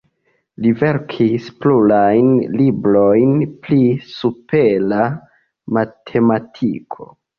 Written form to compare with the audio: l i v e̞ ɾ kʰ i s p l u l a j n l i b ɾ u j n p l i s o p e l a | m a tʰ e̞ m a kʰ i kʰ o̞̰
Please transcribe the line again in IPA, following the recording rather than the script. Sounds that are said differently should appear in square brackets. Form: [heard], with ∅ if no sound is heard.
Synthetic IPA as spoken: l i v e̞ ɾ kʰ i s p l u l a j n l i b ɾ [o] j n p l i s [u] p e l a | m a tʰ e̞ m a [tʰ] i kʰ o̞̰